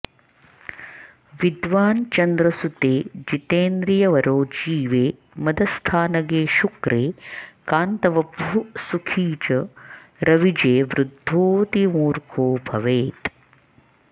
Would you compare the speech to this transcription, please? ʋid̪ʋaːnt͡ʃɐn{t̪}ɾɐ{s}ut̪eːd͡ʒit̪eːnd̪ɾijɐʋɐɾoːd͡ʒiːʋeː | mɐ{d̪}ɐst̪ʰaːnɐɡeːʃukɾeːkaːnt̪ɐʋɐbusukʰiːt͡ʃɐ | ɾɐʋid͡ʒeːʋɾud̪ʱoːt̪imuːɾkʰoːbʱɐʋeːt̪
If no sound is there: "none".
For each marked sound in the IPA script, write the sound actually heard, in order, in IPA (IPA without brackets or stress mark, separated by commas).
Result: d̪, s, d̪